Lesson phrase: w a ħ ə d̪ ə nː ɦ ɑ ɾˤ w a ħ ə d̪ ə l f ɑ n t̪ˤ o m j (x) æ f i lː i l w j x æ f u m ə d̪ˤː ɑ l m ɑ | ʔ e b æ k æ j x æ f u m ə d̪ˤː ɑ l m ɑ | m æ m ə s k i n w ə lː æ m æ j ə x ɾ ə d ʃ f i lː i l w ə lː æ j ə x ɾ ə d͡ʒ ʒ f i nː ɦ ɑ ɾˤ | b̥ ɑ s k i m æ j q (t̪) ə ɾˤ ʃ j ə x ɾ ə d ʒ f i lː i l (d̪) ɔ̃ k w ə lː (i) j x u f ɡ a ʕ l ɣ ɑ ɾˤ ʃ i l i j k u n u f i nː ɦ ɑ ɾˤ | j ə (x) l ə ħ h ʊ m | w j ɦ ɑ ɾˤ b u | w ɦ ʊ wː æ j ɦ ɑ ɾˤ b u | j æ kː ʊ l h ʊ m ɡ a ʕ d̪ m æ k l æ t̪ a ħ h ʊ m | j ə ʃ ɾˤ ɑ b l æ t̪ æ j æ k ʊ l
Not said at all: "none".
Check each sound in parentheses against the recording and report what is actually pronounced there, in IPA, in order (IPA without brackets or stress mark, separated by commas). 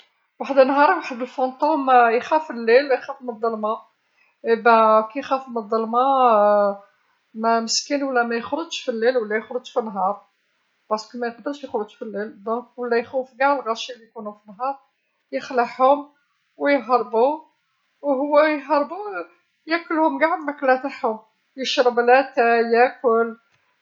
x, d̪, d̪, æ, x